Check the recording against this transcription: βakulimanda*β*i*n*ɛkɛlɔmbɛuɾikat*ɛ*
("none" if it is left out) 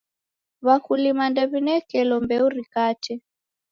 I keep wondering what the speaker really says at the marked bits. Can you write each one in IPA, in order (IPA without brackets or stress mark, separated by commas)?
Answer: β, n, ɛ